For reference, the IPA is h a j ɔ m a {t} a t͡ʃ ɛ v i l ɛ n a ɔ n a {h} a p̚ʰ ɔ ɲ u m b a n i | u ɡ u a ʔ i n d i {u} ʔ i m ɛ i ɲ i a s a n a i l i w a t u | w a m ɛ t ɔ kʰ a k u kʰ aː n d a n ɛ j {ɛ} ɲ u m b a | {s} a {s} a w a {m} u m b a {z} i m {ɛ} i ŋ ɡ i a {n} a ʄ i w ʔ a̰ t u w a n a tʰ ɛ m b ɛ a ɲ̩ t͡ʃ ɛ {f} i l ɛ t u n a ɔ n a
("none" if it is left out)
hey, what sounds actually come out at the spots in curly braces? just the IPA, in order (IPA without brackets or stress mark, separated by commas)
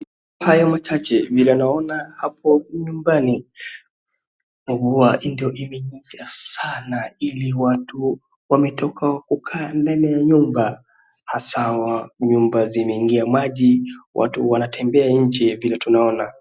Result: t͡ʃ, h, ɔ, a, h, s, ɲ, z, ɛ, m, v